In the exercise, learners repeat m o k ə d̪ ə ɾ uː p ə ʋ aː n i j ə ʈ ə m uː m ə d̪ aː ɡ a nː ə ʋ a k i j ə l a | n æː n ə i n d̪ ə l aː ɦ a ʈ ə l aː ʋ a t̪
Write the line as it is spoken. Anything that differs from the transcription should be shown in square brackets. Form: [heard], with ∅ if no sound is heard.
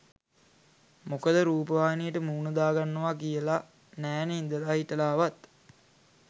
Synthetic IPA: m o k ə d̪ ə ɾ uː p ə ʋ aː n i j ə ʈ ə m uː [n] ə d̪ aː ɡ a nː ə ʋ a k i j ə l a | n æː n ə i n d̪ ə l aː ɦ [i] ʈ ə l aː ʋ a t̪